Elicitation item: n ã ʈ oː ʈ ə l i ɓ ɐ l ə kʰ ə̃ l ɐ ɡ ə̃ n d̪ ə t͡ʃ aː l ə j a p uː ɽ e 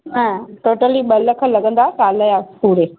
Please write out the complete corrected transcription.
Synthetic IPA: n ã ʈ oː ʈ ə l i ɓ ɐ l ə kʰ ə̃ l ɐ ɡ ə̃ n d̪ a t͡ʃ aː l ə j a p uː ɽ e